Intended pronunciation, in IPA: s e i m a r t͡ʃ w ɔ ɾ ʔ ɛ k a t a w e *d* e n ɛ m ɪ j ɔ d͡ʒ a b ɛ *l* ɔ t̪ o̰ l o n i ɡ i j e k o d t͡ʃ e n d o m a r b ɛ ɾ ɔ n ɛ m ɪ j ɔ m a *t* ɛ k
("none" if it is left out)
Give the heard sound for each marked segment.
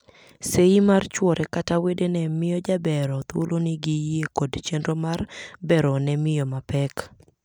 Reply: d, ɾ, p

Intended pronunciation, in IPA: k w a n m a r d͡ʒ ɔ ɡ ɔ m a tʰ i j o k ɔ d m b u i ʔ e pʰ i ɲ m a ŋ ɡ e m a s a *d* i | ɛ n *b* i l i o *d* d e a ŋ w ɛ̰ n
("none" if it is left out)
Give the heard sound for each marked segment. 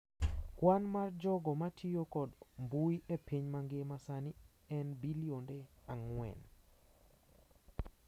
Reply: n, b, n

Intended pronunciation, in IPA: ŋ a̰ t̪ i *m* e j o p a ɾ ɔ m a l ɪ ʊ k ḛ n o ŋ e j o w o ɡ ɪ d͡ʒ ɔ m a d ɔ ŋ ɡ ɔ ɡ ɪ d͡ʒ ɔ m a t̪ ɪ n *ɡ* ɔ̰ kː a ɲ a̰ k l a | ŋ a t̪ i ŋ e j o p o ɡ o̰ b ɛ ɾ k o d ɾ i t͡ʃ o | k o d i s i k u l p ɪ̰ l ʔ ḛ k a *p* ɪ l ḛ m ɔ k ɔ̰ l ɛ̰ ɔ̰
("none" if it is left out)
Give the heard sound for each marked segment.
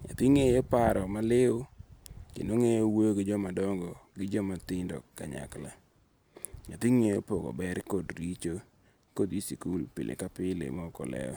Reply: ŋ, d, p

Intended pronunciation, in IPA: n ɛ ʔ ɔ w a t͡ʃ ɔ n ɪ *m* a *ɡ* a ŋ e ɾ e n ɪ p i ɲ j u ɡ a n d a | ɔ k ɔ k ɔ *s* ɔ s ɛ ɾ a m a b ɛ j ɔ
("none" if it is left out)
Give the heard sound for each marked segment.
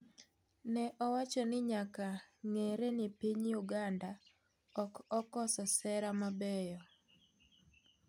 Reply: ɲ, k, s

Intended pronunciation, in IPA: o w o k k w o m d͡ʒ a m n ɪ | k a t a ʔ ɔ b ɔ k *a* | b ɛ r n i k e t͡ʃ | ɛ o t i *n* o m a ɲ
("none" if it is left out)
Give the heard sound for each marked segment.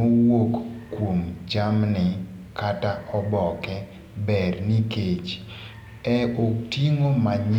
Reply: ɛ, ŋ

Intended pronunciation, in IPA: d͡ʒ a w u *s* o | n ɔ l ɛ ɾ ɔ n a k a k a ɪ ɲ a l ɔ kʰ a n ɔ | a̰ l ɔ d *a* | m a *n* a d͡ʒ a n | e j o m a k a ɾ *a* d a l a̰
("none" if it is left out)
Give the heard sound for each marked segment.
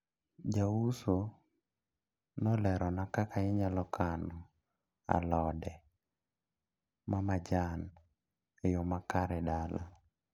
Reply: s, ɛ, m, ɛ

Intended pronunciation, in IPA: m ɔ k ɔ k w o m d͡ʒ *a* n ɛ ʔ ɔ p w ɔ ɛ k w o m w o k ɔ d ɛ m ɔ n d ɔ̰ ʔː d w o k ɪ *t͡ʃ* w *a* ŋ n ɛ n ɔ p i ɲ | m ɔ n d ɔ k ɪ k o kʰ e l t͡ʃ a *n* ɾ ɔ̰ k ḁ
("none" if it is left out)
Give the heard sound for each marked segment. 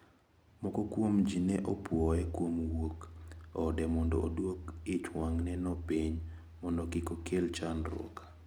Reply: i, t͡ʃ, a, n

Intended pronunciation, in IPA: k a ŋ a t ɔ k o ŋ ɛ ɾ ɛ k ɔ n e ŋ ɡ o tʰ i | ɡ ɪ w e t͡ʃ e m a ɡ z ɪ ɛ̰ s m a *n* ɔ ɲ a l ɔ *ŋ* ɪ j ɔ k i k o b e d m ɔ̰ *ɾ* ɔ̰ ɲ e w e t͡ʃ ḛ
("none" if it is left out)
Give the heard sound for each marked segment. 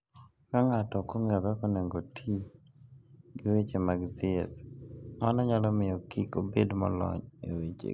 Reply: n, m, l

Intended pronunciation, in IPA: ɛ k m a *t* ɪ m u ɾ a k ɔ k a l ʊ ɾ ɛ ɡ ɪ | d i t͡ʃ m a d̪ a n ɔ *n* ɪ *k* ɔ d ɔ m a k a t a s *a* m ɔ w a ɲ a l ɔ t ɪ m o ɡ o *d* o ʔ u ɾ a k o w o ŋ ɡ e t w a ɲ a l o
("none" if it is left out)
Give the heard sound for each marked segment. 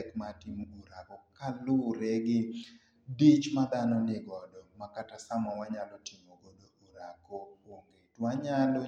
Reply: t, n, ɡ, a, d

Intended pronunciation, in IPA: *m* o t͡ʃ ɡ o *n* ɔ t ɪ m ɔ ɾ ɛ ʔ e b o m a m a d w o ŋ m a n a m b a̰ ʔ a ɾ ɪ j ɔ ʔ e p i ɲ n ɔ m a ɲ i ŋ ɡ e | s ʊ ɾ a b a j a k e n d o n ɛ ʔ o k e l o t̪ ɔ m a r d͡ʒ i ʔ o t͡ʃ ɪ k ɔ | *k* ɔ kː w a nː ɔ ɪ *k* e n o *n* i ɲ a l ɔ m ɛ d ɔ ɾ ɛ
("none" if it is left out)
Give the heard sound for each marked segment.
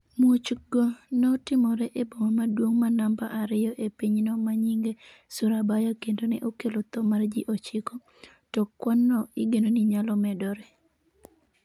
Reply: m, n, t, ɡ, n

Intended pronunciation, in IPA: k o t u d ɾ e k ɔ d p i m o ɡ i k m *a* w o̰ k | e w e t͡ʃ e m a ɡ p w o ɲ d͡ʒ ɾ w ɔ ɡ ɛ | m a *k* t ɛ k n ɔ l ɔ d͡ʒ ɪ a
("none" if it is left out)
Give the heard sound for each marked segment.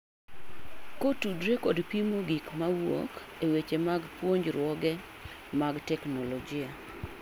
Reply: a, ɡ

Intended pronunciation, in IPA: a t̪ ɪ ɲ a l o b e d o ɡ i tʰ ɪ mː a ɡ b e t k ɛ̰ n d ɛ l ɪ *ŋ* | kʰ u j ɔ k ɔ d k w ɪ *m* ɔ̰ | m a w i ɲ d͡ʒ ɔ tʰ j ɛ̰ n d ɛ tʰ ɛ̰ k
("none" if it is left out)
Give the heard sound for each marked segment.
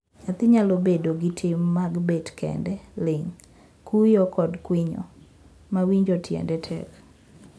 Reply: ŋ, ɲ

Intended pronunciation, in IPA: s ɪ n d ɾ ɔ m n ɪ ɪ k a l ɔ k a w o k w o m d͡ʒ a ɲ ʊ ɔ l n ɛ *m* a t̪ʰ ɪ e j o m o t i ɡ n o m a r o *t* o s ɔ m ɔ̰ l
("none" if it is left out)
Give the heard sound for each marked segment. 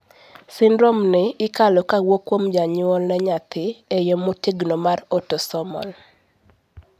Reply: ɲ, t

